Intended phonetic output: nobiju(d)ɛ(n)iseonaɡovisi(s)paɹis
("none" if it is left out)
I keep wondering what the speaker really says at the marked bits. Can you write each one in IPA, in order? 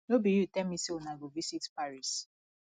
t, m, t

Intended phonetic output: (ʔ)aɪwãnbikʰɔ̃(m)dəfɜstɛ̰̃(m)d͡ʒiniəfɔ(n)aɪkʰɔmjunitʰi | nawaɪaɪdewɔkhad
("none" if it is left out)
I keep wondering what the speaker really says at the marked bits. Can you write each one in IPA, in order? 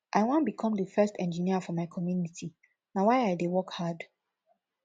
ʔ, m, n, m

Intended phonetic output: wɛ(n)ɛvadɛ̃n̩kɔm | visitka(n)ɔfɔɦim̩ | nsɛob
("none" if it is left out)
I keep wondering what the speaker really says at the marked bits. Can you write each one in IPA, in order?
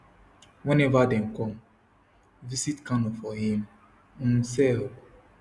n, n

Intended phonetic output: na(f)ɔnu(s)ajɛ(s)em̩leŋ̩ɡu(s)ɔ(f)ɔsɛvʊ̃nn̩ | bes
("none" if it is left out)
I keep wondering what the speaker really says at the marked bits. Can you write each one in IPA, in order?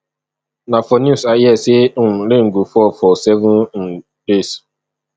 f, s, s, f, f

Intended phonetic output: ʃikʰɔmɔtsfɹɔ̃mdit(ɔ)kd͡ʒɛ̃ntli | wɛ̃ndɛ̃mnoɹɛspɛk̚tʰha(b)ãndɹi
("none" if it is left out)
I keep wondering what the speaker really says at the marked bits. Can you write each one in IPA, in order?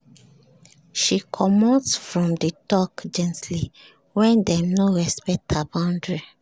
ɔ, b

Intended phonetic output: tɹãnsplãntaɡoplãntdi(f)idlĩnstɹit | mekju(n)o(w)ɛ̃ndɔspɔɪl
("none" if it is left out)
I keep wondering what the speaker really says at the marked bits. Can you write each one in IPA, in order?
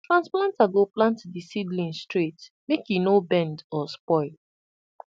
s, n, b

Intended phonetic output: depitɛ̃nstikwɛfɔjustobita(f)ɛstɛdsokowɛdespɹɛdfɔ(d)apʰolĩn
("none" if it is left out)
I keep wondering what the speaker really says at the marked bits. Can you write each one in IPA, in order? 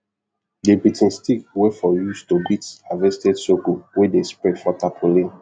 v, t

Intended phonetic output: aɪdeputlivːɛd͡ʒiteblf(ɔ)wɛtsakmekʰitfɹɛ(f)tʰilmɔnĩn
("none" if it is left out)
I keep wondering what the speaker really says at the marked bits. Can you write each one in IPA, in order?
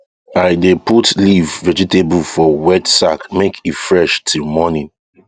ɔ, ʃ

